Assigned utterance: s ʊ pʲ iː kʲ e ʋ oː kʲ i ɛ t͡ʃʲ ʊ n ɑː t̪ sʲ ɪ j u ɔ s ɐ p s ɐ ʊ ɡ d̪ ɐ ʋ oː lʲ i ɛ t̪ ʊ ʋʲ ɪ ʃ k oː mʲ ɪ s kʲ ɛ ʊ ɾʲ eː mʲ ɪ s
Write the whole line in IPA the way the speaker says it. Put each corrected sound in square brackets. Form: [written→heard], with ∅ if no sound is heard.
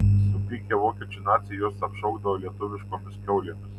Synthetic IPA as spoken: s ʊ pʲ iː kʲ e ʋ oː kʲ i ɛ t͡ʃʲ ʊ n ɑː t̪ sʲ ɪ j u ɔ s ɐ p [s→ʃ] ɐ ʊ ɡ d̪ ɐ ʋ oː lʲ i ɛ t̪ ʊ ʋʲ ɪ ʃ k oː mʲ ɪ s kʲ ɛ ʊ [ɾʲ→lʲ] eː mʲ ɪ s